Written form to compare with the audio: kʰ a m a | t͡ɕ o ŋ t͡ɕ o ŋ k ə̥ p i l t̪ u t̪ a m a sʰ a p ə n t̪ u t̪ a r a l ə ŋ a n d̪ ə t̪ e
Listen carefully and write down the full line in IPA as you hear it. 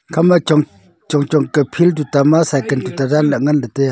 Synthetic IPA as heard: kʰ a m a | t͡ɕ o ŋ t͡ɕ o ŋ k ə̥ pʰ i l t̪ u t̪ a m a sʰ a k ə n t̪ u t̪ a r a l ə ŋ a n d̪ ə t̪ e